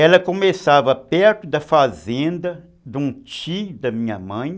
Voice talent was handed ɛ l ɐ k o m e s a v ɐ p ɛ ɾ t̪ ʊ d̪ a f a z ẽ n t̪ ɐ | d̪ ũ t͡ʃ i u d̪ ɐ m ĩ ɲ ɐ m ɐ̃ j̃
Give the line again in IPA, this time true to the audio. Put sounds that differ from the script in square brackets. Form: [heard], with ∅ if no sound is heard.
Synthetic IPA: ɛ l ɐ k o m e s a v ɐ p ɛ ɾ t̪ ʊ d̪ [ɐ] f a z ẽ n [d̪] ɐ | d̪ ũ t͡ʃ i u d̪ ɐ m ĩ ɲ ɐ m ɐ̃ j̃